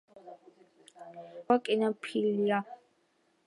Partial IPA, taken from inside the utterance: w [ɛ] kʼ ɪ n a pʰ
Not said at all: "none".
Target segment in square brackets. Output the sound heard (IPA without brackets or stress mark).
a